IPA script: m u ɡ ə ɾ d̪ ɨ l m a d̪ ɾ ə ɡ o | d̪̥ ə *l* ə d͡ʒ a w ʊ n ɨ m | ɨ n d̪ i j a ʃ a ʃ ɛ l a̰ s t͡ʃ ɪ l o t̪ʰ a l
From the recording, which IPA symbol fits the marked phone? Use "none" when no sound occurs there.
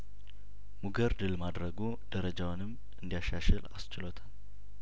ɾ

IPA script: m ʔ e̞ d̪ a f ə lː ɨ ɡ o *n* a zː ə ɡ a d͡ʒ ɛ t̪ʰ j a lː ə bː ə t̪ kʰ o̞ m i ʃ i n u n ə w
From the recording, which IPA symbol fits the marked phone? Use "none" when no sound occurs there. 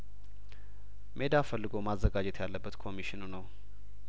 m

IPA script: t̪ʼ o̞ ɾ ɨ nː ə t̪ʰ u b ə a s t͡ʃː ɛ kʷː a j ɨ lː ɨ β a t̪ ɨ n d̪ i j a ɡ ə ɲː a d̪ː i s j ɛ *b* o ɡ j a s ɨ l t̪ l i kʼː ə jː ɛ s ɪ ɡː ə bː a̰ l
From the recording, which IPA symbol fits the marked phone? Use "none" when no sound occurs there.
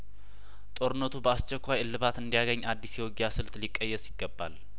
w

